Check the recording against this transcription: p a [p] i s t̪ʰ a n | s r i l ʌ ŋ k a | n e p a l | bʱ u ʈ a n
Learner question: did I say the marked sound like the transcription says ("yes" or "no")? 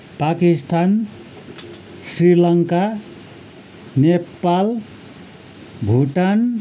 no